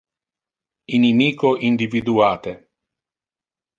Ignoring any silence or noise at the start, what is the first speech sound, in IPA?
i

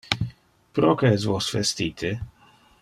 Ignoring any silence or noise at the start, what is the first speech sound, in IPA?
p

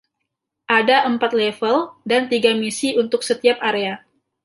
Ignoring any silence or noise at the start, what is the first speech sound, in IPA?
ʔ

